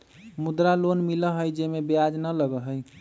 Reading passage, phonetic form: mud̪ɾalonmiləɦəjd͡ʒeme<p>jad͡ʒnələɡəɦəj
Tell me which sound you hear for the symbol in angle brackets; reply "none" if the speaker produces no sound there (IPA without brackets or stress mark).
b